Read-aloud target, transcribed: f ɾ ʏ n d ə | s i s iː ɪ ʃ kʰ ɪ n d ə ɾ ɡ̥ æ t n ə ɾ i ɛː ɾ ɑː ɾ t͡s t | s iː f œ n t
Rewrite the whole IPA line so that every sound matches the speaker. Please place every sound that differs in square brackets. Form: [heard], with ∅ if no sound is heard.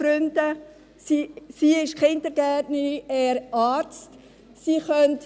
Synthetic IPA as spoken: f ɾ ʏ n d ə | s i s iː ɪ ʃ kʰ ɪ n d ə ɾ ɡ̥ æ t n ə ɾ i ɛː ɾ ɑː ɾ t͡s t | s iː [χ] œ n t